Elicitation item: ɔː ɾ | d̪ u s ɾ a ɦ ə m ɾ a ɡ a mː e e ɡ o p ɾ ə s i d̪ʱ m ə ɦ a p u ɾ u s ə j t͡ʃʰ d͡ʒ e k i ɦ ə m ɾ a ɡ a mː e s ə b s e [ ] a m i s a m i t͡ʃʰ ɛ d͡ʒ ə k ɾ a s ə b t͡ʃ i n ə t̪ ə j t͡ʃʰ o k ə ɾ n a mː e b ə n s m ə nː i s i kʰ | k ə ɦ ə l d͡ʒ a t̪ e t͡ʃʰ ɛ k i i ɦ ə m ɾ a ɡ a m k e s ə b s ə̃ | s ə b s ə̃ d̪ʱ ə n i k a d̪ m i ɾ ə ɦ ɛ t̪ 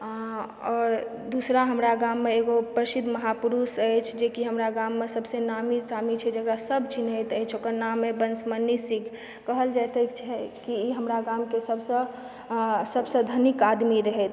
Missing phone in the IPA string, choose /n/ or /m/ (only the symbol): n